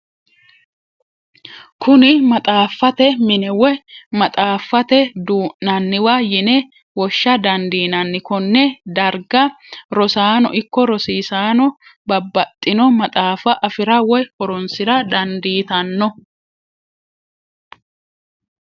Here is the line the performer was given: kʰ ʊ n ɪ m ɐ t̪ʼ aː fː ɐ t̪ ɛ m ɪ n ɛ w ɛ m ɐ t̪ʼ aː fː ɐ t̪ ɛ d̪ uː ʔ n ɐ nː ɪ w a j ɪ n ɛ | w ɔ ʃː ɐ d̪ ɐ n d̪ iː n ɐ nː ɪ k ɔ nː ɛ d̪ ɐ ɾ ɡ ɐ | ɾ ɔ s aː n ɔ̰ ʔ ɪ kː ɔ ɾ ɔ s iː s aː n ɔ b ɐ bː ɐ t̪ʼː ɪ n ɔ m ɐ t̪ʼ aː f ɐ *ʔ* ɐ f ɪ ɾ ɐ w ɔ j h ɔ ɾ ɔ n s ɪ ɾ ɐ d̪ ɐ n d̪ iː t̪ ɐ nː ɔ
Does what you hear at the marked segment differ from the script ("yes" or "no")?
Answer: no